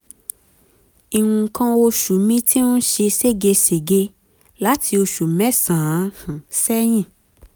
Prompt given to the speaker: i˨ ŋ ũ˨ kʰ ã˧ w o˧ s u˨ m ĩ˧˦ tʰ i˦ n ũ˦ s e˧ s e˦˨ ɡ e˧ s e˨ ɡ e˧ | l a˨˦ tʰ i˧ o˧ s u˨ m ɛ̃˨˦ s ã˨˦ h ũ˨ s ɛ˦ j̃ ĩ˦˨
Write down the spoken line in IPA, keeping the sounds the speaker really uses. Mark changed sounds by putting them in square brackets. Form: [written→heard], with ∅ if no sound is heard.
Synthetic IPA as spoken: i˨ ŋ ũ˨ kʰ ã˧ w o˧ [s→ʃ] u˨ m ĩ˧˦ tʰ i˦ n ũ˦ [s→ʃ] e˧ s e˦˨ ɡ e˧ s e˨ ɡ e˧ | l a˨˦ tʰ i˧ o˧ [s→ʃ] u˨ m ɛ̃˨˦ s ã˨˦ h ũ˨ s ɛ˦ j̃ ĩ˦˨

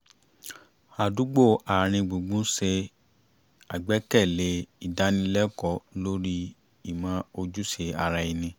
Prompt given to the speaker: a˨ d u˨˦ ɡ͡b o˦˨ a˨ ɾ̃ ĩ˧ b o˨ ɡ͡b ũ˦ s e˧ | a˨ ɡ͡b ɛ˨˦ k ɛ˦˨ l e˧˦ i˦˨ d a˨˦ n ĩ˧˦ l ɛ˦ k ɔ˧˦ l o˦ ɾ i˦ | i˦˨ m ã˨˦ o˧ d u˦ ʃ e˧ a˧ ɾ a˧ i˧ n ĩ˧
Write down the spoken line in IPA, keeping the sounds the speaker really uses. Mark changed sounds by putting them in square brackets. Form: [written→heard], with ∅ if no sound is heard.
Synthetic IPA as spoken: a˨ d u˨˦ ɡ͡b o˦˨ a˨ ɾ̃ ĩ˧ [b→ɡ͡b] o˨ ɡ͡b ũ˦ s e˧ | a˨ ɡ͡b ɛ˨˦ k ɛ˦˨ l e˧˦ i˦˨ d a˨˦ n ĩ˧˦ l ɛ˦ k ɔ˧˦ l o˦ ɾ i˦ | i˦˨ m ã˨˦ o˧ [d→d͡ʒ] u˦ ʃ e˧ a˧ ɾ a˧ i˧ n ĩ˧

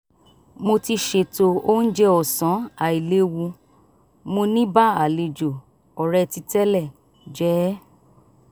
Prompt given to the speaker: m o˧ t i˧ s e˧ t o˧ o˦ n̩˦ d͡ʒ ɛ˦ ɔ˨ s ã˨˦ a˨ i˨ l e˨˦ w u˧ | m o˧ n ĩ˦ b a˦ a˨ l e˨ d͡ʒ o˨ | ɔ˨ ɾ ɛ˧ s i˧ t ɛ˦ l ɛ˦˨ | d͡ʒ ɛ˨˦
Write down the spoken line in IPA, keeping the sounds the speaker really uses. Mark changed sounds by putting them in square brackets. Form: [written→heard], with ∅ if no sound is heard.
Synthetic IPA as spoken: m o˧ t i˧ [s→ʃ] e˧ t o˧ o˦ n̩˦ d͡ʒ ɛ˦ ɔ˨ s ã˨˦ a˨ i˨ l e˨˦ w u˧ | m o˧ n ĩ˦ b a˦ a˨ l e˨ d͡ʒ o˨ | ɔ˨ ɾ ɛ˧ [s→t] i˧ t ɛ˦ l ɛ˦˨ | d͡ʒ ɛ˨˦

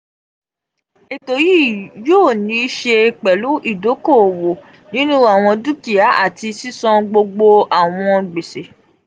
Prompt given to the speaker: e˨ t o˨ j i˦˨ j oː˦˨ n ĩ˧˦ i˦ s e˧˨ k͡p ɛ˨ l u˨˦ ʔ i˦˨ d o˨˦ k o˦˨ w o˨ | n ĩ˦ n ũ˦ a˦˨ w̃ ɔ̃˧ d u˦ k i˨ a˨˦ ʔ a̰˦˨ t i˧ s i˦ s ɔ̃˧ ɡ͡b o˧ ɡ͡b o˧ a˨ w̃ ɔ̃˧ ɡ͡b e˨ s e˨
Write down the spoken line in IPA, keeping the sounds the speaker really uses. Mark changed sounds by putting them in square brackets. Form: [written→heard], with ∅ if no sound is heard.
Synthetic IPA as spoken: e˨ t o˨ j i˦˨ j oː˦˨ n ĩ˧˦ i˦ [s→ʃ] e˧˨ k͡p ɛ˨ l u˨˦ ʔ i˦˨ d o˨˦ k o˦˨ w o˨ | n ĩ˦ n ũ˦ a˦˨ w̃ ɔ̃˧ d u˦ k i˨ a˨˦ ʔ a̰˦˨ t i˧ s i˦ s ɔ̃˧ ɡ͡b o˧ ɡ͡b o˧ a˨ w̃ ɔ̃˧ ɡ͡b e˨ s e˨

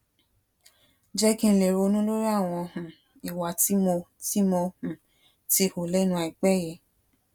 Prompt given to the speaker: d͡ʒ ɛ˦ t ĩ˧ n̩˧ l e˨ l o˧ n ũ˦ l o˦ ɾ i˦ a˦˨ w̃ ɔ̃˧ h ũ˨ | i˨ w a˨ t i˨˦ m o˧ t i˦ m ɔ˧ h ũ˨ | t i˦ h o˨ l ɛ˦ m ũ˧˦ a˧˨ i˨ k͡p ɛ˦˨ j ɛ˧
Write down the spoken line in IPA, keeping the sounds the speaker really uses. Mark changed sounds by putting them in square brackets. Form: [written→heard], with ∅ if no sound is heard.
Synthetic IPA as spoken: d͡ʒ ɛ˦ [t→k] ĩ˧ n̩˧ l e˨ [l→ɾ] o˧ n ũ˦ l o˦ ɾ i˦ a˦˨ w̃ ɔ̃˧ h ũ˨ | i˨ w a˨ t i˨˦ m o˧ t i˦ m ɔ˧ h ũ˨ | t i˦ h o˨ l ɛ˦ [m→n] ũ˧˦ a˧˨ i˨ k͡p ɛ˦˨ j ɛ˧

